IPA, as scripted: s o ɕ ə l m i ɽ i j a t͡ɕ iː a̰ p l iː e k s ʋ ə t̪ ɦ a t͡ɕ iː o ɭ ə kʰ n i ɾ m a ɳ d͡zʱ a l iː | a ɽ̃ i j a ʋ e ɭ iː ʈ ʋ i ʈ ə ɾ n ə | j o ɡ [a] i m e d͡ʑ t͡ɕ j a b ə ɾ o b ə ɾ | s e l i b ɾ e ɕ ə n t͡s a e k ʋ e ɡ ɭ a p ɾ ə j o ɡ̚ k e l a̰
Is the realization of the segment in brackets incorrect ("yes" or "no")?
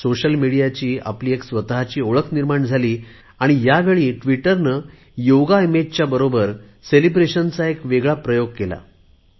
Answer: no